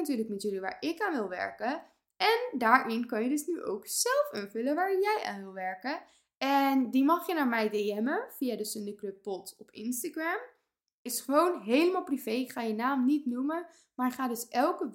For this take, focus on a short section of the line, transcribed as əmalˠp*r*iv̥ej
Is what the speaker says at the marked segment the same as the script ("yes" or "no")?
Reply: yes